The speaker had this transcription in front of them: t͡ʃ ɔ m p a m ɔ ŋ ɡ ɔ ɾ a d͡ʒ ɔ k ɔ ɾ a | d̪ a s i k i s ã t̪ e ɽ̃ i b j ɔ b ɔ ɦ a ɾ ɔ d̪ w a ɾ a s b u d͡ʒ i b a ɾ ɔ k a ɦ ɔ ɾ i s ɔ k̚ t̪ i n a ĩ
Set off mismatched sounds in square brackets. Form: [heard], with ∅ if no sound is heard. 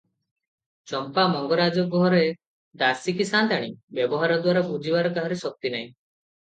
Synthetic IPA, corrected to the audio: t͡ʃ ɔ m p a m ɔ ŋ ɡ ɔ ɾ a d͡ʒ ɔ [ɡ] ɔ ɾ [e] | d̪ a s i k i s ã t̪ [a] ɽ̃ i b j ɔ b ɔ ɦ a ɾ ɔ d̪ w a ɾ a [∅] b u d͡ʒ i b a ɾ ɔ k a ɦ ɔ ɾ [e] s ɔ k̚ t̪ i n a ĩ